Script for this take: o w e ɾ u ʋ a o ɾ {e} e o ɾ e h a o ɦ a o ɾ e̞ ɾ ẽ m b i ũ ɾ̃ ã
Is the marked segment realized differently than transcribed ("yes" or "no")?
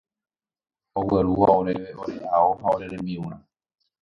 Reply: no